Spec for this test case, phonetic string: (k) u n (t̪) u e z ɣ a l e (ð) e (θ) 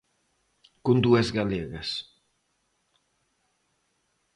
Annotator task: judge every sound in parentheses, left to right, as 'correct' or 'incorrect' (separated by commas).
correct, incorrect, incorrect, incorrect